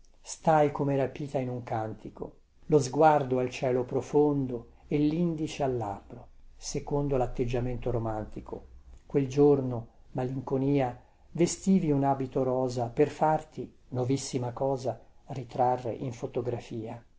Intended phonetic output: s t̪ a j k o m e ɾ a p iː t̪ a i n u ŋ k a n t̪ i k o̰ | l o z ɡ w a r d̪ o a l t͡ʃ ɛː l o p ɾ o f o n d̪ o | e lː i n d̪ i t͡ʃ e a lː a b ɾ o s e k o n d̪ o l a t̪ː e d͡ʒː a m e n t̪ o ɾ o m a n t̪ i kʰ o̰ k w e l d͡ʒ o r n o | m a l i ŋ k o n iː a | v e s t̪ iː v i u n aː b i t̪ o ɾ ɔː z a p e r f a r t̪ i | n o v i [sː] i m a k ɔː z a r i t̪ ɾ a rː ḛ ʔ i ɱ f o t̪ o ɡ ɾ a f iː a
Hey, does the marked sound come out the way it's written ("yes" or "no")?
yes